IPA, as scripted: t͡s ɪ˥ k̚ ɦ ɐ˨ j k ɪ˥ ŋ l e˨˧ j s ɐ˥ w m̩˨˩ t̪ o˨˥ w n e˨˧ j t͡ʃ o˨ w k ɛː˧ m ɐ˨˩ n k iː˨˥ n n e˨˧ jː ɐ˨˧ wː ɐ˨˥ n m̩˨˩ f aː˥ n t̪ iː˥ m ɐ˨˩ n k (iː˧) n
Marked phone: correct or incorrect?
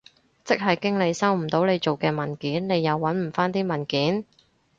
incorrect